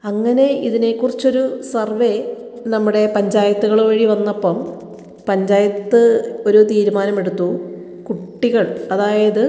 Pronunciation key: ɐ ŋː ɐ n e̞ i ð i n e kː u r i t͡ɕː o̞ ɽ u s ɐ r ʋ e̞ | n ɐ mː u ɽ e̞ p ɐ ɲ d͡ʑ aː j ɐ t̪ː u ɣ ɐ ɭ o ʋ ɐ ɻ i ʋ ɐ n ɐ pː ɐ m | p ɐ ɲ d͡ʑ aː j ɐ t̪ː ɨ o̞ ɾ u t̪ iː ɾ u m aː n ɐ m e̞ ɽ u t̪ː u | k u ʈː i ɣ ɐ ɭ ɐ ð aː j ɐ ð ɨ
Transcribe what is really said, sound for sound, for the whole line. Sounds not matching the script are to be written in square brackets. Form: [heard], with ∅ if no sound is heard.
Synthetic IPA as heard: ɐ ŋː ɐ n e̞ i ð i n e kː u r i t͡ɕː o̞ [ɾ] u s ɐ r ʋ e̞ | n ɐ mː u ɽ e̞ p ɐ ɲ d͡ʑ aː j ɐ t̪ː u ɣ ɐ ɭ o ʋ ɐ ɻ i ʋ ɐ [nː] ɐ pː ɐ m | p ɐ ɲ d͡ʑ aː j ɐ t̪ː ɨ o̞ ɾ u t̪ iː ɾ u m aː n ɐ m e̞ ɽ u t̪ː u | k u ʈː i ɣ ɐ ɭ ɐ ð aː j ɐ ð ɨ